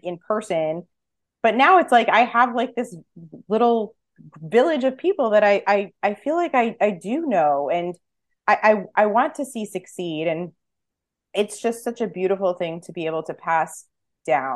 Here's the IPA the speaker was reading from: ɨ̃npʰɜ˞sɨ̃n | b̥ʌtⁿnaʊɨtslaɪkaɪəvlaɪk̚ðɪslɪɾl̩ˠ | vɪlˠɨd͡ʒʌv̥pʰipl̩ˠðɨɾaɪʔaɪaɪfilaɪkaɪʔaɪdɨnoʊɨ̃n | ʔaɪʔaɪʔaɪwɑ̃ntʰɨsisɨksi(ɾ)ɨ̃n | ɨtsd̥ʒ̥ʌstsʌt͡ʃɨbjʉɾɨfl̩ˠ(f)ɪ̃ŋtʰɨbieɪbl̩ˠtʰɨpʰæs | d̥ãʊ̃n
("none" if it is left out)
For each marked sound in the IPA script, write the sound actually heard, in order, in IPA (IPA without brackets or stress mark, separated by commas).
ɾ, θ